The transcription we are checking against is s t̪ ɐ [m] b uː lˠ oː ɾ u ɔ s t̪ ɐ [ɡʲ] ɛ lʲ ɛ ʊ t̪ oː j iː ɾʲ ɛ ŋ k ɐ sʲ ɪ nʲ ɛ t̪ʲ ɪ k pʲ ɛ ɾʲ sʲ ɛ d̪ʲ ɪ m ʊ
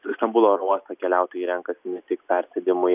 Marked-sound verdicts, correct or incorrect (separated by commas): correct, incorrect